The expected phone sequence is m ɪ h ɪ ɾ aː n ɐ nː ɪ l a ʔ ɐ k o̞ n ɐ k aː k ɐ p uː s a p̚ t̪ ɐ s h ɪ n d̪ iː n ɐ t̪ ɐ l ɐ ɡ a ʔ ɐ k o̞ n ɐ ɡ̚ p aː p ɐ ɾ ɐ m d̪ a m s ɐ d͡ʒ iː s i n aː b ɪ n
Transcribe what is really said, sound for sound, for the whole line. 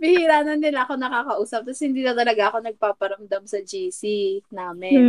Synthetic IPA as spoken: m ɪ h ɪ ɾ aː n ɐ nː ɪ l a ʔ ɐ k o̞ n ɐ k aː k ɐ ʔ uː s ɐ p̚ t̪ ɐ s h ɪ n d̪ iː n ɐ t̪ ɐ l ɐ ɡ a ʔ ɐ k o̞ n ɐ ɡ̚ p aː p ɐ ɾ ɐ m d̪ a m s ɐ d͡ʒ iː s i n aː m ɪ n